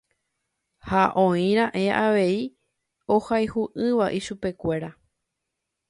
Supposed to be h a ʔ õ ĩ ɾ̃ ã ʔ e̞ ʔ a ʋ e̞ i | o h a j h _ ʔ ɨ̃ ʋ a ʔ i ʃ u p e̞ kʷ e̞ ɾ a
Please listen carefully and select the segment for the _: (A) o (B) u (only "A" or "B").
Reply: B